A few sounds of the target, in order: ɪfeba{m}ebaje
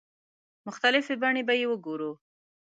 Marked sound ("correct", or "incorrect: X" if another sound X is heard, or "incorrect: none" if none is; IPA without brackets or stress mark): incorrect: ɳ